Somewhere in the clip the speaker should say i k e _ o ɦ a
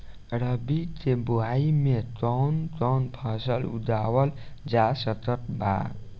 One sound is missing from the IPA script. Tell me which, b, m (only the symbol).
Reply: b